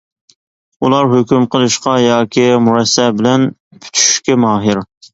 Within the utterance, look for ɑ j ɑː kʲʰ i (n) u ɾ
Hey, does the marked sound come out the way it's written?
no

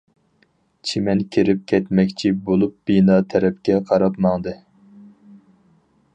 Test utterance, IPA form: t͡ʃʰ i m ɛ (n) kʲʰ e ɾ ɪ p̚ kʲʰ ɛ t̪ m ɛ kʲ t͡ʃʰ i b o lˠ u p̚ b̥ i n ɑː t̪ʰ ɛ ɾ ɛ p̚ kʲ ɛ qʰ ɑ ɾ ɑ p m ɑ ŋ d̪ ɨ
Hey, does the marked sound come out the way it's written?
yes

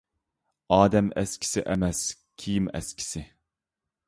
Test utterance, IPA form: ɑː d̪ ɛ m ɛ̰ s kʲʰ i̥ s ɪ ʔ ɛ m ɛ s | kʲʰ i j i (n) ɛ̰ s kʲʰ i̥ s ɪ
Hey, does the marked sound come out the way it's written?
no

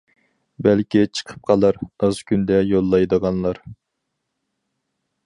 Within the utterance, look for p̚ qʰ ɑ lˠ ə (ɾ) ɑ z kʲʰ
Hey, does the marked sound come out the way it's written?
yes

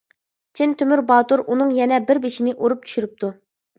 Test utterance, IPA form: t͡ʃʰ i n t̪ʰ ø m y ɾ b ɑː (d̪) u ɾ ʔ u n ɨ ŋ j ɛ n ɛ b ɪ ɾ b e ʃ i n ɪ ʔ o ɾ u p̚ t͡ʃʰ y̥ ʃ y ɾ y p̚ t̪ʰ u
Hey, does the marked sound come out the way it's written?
no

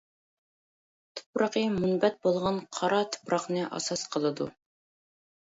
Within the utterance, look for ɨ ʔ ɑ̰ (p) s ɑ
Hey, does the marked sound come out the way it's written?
no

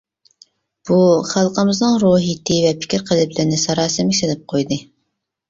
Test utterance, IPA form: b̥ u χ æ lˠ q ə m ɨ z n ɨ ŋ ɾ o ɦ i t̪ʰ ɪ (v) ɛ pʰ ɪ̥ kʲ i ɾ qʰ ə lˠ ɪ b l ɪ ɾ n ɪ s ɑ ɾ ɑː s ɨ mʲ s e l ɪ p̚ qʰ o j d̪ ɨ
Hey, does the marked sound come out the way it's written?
yes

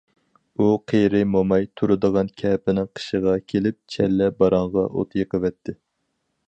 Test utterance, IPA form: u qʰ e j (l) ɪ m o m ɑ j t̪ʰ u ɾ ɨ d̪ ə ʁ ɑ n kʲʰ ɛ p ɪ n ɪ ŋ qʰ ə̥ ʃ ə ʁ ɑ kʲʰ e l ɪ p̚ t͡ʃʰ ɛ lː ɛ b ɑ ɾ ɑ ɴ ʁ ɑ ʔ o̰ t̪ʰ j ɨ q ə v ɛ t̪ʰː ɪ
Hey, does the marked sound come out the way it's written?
no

